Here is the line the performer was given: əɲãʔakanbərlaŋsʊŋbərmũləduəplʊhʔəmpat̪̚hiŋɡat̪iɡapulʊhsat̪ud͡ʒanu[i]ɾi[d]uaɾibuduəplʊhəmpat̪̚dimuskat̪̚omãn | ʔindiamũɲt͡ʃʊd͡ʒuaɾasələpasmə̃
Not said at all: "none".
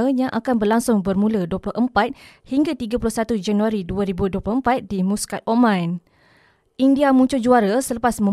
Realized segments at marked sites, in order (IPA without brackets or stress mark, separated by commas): a, d